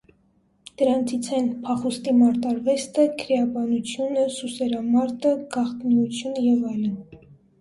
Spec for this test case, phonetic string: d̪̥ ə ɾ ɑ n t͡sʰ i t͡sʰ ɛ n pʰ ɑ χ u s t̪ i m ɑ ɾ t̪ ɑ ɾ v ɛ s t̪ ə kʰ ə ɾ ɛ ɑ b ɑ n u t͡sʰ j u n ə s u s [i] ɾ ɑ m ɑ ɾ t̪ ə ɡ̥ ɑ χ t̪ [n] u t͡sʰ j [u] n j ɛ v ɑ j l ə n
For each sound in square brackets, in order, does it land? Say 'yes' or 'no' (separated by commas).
no, yes, yes